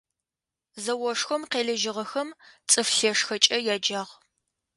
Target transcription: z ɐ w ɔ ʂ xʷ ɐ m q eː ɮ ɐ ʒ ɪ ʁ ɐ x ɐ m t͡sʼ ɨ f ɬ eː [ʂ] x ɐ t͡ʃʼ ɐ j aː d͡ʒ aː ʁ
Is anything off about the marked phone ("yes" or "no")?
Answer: no